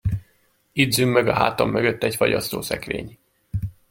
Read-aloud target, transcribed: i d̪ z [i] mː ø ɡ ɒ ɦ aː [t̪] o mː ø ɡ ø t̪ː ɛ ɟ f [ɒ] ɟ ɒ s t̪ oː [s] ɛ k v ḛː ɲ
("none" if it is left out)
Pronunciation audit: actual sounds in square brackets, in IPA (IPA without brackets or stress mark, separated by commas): y, t̪, ɒ, s